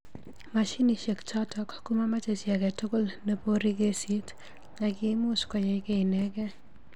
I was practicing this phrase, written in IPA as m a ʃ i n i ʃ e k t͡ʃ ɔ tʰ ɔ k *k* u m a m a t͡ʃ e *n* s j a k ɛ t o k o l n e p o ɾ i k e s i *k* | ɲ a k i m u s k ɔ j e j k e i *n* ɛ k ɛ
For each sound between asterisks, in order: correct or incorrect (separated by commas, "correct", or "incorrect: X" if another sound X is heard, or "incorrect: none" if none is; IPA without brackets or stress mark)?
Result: correct, incorrect: none, incorrect: t, correct